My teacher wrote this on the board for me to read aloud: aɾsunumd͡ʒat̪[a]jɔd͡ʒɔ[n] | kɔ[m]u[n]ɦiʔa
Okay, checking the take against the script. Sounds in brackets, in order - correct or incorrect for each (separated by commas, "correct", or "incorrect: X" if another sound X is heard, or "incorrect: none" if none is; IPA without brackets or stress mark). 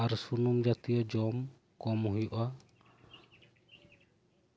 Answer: incorrect: i, incorrect: m, correct, incorrect: none